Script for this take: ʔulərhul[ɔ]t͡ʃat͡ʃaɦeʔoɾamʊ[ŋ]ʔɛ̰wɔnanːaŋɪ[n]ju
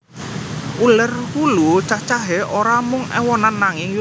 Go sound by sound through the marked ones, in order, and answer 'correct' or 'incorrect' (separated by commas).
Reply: incorrect, correct, incorrect